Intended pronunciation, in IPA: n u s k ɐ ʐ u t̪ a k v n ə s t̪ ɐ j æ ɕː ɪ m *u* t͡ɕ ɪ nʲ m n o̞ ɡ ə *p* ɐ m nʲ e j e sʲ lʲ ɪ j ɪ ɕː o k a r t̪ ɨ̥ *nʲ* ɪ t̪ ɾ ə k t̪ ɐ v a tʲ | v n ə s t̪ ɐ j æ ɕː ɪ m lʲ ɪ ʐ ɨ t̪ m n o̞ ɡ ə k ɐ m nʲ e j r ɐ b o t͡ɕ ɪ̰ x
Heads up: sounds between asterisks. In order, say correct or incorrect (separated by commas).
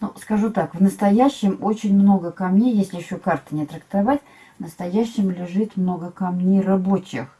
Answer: incorrect, incorrect, correct